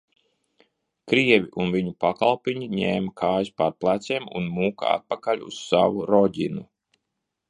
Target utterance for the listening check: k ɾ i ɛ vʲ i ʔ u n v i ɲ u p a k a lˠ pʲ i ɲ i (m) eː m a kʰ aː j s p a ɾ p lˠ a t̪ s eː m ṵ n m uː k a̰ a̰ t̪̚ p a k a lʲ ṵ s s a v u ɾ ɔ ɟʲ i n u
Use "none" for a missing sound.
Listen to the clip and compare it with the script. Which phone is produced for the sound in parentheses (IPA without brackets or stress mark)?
ɲ